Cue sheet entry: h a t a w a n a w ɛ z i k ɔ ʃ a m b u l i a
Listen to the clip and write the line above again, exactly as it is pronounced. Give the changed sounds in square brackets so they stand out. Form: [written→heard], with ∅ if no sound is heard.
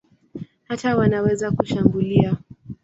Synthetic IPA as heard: h a t a w a n a w ɛ z [i→a] k [ɔ→u] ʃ a m b u l i a